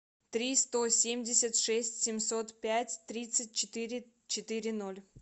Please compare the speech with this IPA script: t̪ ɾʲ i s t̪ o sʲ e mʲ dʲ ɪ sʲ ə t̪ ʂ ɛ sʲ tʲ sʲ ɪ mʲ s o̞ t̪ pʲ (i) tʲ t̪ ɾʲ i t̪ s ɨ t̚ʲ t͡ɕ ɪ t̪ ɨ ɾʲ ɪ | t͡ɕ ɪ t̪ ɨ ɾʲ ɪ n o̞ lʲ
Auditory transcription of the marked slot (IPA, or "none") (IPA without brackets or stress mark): æ